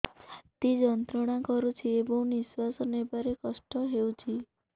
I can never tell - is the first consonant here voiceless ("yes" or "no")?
yes